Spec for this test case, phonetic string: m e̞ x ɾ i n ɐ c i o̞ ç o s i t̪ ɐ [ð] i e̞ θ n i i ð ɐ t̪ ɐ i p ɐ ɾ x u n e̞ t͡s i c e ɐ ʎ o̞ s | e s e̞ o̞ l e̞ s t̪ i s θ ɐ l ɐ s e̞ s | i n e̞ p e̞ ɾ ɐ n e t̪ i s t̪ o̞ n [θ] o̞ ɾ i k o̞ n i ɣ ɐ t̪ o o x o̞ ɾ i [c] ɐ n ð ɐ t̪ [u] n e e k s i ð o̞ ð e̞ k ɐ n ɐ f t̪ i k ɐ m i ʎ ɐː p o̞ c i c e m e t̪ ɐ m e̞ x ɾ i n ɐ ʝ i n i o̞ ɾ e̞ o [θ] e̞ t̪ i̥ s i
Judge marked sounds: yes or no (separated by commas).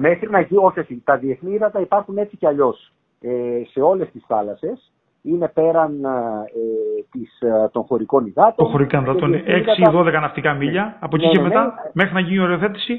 yes, no, no, no, yes